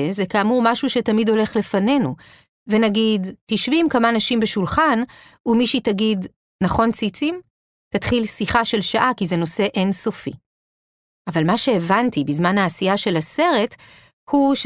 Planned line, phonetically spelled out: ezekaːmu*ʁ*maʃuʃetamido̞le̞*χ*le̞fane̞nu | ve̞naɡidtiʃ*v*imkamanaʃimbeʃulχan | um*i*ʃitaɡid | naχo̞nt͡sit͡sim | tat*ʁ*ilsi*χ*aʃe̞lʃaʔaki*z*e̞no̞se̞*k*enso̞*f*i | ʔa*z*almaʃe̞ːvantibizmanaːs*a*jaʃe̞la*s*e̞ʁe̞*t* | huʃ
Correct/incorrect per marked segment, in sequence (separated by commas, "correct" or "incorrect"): correct, correct, correct, correct, incorrect, correct, correct, incorrect, correct, incorrect, incorrect, correct, correct